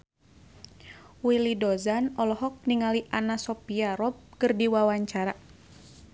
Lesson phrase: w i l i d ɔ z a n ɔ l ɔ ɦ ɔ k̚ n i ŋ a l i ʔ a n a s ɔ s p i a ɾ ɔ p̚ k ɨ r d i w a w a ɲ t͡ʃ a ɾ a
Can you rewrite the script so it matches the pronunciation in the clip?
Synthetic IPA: w i l i d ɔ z a n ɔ l ɔ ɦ ɔ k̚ n i ŋ a l i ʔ a n a s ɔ p i a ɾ ɔ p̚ k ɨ r d i w a w a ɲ t͡ʃ a ɾ a